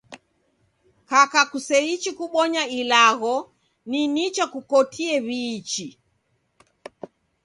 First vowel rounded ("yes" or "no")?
no